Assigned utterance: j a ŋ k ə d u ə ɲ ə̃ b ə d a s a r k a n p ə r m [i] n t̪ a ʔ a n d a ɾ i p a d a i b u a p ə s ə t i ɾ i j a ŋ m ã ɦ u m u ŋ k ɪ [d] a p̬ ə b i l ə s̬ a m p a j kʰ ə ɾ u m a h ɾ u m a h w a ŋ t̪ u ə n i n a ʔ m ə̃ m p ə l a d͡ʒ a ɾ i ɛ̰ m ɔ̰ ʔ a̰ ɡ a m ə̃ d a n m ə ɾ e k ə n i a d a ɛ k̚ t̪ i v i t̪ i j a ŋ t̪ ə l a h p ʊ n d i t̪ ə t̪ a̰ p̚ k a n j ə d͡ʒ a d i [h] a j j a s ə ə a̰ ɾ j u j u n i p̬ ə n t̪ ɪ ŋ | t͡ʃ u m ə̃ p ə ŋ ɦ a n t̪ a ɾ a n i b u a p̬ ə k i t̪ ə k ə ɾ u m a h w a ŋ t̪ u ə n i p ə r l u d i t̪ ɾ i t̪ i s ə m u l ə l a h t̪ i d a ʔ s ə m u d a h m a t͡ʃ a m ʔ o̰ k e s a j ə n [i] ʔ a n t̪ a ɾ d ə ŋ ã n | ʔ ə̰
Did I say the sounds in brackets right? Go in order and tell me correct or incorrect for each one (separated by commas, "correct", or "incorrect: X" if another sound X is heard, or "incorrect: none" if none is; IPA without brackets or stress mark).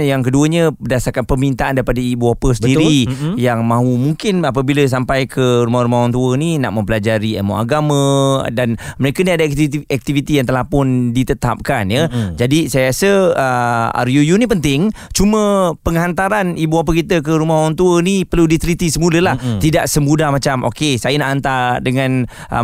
correct, incorrect: n, incorrect: s, incorrect: a